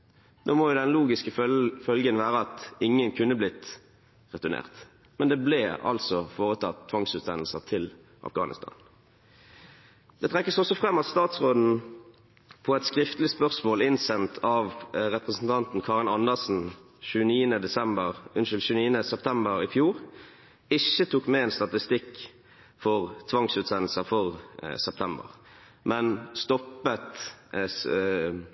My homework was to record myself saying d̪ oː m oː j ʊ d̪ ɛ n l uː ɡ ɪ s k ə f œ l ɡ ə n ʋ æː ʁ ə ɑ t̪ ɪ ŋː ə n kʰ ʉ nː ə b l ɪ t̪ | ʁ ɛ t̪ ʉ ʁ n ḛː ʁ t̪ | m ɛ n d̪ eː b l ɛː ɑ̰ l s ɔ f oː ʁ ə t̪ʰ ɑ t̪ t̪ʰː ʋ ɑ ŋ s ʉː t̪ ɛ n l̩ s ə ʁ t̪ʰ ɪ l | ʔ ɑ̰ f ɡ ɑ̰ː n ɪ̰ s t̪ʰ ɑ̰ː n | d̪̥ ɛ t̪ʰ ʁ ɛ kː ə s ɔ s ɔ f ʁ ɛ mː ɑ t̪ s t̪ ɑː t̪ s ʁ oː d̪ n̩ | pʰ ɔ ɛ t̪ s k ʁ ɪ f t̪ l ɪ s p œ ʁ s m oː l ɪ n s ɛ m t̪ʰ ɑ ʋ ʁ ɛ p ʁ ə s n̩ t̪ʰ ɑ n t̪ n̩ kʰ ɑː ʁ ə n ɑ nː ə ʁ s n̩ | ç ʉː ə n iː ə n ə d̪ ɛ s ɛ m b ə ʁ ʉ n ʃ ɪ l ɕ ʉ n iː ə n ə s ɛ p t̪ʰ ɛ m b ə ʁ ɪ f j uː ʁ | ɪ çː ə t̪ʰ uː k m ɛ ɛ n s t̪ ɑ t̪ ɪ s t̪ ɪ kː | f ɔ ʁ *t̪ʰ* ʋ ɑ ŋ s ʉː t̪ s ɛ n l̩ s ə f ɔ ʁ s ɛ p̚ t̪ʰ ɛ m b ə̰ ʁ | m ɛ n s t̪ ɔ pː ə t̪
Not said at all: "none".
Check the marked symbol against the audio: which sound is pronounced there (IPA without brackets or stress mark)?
t̪ʰ